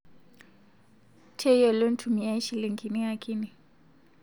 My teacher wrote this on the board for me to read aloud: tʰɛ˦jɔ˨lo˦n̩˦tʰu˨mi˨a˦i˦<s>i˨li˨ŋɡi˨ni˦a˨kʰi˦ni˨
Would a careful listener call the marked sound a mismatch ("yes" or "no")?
yes